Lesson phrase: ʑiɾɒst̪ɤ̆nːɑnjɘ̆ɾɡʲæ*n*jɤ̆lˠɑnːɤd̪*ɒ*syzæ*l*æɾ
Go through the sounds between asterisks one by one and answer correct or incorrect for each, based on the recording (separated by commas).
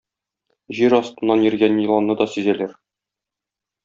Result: correct, correct, correct